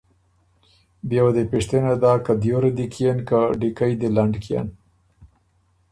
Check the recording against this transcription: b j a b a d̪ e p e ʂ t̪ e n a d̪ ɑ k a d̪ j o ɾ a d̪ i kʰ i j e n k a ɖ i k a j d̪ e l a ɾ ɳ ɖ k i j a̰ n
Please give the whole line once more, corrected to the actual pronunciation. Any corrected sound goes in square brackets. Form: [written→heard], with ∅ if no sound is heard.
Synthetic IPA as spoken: b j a [b→w] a d̪ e p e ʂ t̪ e n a d̪ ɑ k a d̪ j o ɾ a d̪ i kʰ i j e n k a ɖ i k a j d̪ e l a [ɾ→∅] ɳ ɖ k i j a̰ n